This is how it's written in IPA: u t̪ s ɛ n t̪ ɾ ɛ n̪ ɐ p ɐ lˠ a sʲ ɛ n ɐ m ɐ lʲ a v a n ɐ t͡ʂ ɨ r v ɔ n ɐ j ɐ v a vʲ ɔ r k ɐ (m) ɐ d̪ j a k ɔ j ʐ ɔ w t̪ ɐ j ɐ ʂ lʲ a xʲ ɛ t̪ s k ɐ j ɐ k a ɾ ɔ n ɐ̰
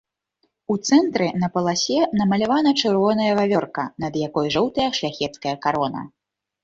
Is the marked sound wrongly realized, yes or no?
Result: yes